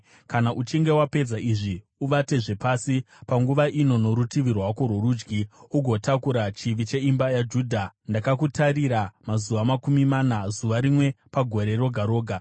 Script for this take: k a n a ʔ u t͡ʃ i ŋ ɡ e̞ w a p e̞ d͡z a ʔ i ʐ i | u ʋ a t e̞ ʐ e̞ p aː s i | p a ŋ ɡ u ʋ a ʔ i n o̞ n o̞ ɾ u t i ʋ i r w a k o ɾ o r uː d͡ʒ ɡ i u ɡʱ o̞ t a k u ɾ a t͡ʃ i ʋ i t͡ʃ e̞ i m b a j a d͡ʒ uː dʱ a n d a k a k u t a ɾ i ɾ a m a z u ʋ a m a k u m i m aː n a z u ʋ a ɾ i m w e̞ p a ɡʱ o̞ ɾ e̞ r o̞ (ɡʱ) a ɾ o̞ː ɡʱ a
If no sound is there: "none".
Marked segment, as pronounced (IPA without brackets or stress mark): ɡʱ